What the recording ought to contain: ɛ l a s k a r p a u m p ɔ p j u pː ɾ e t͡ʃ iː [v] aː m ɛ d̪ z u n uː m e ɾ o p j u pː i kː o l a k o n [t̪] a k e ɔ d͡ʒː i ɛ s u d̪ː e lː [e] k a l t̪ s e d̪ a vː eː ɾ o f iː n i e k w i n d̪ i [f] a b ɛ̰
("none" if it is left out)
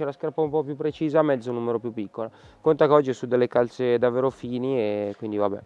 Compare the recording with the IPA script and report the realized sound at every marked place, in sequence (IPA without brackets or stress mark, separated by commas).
z, t̪, e, v